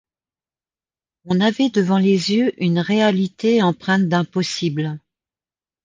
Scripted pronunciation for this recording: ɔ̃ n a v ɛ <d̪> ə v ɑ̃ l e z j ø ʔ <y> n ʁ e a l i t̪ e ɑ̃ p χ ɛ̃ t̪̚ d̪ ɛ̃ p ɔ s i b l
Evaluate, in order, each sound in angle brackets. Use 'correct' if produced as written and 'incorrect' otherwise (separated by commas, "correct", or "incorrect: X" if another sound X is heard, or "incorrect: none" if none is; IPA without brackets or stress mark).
correct, correct